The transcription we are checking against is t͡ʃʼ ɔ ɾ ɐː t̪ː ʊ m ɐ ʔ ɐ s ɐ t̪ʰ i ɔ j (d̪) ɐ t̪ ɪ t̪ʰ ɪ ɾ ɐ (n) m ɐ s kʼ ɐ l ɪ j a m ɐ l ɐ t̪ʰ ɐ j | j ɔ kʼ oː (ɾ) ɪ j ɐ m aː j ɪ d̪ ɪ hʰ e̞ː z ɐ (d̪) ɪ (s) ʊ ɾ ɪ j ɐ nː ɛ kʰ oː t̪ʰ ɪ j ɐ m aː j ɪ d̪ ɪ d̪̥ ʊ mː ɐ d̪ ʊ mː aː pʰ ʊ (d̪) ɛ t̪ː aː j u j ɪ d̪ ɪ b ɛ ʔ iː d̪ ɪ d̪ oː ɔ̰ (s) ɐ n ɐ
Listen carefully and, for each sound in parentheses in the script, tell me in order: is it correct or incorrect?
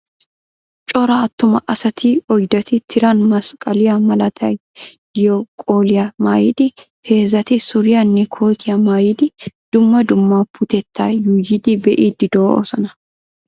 correct, correct, incorrect: l, incorrect: t̪, correct, incorrect: t̪, correct

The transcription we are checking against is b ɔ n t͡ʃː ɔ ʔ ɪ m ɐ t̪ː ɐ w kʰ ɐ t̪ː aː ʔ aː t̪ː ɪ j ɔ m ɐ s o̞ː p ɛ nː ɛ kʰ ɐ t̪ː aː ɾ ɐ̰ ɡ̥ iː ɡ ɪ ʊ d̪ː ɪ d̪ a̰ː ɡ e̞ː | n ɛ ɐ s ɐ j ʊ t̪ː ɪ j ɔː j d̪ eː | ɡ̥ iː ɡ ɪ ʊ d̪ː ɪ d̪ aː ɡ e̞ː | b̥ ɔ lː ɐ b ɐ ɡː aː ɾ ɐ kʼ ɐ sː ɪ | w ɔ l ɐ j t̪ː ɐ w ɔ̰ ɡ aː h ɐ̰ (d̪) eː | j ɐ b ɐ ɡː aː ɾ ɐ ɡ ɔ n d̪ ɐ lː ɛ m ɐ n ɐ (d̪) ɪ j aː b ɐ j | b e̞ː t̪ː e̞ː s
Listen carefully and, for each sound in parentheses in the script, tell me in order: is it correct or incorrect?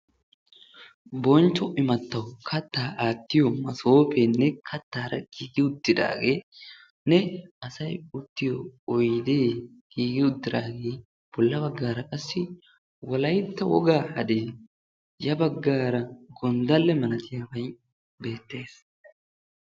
correct, incorrect: t̪

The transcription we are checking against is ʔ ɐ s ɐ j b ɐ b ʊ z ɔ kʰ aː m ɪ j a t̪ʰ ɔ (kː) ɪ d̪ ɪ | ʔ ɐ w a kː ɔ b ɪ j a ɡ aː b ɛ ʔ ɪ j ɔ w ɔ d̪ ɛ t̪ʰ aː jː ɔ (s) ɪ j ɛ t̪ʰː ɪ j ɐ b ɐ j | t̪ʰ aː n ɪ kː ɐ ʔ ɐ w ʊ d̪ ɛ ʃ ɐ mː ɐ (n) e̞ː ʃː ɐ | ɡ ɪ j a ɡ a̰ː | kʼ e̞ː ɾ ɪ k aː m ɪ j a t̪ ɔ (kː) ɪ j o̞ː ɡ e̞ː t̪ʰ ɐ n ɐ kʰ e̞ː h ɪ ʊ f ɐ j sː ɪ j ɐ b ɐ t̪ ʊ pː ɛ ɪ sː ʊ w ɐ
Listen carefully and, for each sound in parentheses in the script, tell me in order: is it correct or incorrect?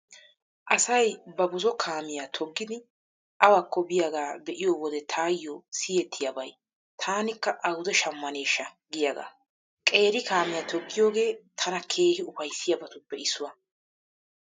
incorrect: ɡː, correct, correct, incorrect: ɡː

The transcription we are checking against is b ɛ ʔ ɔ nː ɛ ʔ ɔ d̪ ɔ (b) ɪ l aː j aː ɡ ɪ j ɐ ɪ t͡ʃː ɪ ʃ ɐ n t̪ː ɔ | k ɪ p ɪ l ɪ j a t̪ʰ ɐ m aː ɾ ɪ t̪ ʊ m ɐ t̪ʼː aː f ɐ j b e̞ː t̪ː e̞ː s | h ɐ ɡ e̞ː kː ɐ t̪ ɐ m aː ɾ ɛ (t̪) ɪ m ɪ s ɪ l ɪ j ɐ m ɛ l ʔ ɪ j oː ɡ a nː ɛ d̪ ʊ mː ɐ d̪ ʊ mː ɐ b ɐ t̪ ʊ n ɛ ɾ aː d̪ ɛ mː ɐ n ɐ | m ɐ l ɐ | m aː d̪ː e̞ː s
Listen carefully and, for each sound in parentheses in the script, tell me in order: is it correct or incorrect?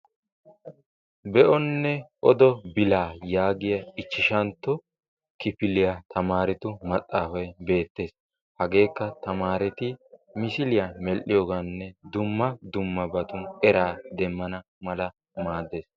correct, correct

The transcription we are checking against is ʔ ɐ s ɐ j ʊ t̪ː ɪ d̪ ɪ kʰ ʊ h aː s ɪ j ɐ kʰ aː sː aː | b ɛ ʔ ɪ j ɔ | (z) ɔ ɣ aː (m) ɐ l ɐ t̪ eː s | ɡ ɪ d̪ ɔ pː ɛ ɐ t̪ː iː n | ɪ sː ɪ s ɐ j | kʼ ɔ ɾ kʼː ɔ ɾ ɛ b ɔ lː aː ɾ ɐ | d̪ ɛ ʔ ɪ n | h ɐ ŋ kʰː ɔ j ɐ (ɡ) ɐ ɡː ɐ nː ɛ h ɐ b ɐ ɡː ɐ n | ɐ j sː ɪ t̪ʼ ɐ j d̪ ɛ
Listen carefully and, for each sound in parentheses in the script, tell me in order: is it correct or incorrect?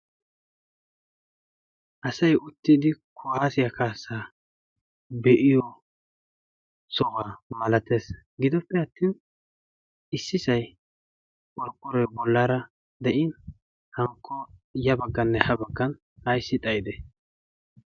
incorrect: s, correct, incorrect: b

